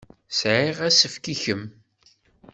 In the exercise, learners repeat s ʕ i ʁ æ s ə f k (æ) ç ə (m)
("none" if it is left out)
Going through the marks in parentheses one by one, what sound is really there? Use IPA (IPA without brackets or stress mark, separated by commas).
i, m